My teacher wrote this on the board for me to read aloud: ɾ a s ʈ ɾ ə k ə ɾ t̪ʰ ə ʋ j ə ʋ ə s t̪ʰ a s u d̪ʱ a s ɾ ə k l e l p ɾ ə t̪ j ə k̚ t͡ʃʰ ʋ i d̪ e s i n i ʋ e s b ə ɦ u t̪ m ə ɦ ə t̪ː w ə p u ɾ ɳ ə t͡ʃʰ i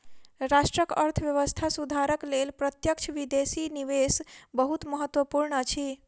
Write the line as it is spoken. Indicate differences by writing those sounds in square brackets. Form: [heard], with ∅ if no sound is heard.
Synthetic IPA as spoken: ɾ a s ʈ ɾ ə k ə ɾ t̪ʰ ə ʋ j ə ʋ ə s t̪ʰ a s u d̪ʱ a [∅] ɾ ə k l e l p ɾ ə t̪ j ə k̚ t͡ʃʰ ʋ i d̪ e s i n i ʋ e s b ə ɦ u t̪ m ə ɦ ə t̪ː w ə p u ɾ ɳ ə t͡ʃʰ i